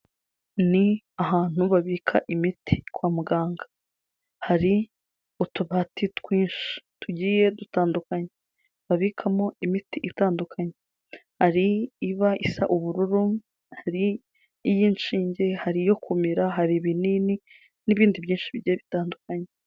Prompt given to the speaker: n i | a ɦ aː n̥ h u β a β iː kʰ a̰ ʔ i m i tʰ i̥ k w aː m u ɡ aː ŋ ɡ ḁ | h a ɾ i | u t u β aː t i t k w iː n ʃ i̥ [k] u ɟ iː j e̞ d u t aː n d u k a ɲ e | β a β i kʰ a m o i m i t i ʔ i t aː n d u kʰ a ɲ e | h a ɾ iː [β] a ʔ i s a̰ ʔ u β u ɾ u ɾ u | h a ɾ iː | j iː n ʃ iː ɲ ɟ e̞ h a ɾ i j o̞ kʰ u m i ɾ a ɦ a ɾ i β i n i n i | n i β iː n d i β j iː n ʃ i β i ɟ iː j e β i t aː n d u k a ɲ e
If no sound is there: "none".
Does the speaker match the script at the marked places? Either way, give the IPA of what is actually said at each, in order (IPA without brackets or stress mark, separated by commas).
t, β